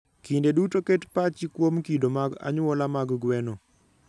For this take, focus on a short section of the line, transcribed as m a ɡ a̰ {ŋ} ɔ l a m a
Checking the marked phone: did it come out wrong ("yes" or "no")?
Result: yes